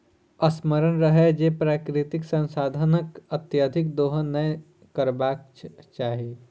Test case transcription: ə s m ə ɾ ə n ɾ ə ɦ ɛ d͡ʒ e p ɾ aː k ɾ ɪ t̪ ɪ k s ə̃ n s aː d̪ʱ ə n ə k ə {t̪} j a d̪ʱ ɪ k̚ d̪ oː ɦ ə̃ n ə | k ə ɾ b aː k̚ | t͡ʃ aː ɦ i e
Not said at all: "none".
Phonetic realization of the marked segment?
t̪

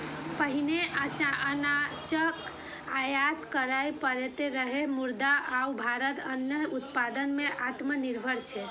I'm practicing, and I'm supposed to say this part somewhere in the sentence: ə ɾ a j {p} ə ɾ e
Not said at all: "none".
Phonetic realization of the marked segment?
p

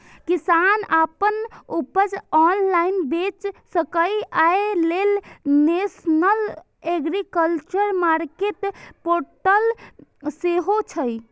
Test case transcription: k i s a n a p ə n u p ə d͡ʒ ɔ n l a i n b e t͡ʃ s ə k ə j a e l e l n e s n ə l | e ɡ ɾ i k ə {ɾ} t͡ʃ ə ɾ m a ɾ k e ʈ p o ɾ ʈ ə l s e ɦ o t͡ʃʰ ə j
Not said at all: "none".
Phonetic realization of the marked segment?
l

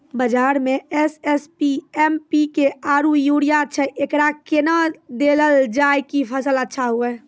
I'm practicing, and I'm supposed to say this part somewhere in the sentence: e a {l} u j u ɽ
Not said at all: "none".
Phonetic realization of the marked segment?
ɾ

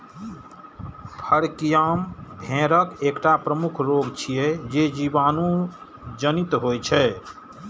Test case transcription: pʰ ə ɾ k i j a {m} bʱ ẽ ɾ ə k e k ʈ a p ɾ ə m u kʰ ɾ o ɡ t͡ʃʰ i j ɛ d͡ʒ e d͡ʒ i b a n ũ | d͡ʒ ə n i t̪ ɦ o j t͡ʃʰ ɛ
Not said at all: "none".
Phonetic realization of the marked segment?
m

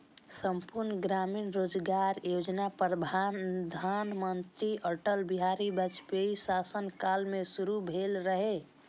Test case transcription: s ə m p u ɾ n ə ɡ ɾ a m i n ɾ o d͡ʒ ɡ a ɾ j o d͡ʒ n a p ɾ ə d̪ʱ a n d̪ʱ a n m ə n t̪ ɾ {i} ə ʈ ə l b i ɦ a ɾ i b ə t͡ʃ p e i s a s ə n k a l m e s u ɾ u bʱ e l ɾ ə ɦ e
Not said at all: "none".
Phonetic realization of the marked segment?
i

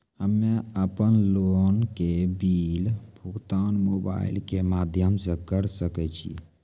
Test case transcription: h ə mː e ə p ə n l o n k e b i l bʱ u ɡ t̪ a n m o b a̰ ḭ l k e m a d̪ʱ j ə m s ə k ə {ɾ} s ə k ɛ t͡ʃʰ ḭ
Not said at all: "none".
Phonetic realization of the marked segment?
ɾ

